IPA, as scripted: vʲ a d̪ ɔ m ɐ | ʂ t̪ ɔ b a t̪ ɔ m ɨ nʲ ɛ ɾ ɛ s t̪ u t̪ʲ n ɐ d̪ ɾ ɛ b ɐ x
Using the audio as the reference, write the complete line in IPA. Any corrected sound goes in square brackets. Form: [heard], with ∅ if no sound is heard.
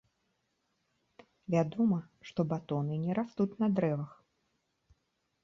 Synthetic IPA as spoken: vʲ a d̪ ɔ m ɐ | ʂ t̪ ɔ b a t̪ ɔ [n] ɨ nʲ ɛ ɾ [a] s t̪ u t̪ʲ n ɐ d̪ ɾ ɛ [v] ɐ x